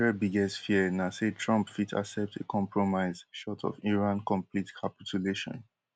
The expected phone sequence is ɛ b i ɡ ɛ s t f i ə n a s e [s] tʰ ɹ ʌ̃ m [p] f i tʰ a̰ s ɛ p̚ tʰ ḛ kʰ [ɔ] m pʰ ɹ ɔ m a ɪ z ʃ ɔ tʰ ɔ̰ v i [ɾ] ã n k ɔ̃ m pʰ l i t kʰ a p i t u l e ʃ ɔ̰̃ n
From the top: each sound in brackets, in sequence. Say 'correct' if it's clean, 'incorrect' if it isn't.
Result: incorrect: none, correct, incorrect: ɔ̃, incorrect: ɹ

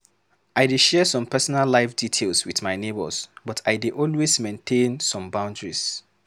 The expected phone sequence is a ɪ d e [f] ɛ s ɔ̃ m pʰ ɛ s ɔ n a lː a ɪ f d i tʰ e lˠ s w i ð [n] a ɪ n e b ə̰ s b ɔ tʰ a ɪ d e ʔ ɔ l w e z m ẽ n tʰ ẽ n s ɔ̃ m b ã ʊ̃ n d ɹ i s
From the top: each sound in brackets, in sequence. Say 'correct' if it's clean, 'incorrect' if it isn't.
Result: incorrect: ʃ, incorrect: m

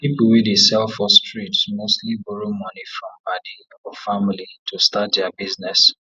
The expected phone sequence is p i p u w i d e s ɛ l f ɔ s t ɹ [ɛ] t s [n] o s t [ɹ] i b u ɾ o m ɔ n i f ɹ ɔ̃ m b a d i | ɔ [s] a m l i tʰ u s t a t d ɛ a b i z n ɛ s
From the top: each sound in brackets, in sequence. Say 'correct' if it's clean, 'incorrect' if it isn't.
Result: incorrect: i, incorrect: m, incorrect: l, incorrect: f

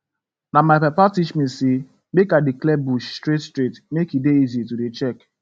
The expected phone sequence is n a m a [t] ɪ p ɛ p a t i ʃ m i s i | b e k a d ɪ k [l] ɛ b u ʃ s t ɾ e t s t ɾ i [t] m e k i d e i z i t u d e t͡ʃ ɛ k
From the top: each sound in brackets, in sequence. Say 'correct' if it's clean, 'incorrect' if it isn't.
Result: incorrect: none, correct, correct

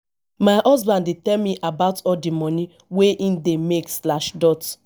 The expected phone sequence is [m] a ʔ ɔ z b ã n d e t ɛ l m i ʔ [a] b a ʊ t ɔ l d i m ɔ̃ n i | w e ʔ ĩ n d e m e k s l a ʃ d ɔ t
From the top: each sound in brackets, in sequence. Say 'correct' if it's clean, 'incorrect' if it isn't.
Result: correct, correct

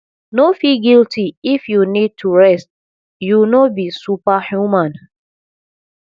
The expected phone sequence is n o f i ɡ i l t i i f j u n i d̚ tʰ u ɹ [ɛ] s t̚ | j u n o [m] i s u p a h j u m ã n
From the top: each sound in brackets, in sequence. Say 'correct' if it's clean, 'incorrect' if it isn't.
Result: correct, incorrect: b

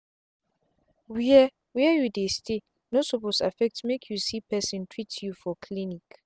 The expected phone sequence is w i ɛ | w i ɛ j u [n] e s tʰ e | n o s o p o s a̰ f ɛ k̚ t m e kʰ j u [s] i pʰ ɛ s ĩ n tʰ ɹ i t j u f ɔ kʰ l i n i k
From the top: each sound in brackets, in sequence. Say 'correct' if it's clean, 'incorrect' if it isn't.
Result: incorrect: d, correct

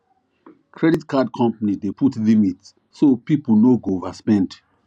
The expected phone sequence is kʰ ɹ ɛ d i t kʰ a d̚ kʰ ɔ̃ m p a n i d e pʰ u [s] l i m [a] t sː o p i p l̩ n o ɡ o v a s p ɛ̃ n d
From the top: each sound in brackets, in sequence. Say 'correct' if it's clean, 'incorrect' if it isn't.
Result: incorrect: t, incorrect: i

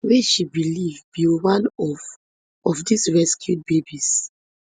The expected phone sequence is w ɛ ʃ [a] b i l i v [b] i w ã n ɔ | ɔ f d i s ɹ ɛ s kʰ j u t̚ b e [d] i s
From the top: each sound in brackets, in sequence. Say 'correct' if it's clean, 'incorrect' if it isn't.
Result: incorrect: i, correct, incorrect: b

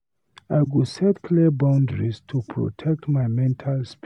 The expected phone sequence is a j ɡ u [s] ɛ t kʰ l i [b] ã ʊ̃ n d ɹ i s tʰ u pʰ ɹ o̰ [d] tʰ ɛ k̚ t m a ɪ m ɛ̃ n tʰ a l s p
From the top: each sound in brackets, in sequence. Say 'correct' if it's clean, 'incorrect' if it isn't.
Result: correct, correct, incorrect: none

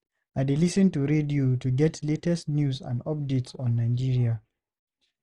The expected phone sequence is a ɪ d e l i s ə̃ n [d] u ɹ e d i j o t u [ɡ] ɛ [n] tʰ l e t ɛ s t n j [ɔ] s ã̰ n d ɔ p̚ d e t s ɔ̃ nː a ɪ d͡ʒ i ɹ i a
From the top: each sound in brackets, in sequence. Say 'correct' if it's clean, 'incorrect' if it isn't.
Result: incorrect: t, correct, incorrect: none, incorrect: u

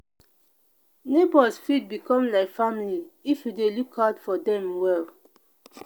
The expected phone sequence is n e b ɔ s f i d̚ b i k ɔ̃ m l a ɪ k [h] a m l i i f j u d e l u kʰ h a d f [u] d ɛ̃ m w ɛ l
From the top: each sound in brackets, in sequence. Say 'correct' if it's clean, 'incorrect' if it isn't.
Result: incorrect: f, incorrect: ɔ

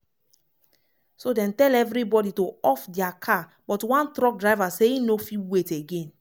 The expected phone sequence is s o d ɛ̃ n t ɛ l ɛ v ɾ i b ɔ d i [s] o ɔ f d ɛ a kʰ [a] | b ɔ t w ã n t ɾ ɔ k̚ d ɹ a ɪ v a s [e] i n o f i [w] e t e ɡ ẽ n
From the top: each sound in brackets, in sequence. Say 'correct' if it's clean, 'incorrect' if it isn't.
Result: incorrect: t, correct, correct, correct

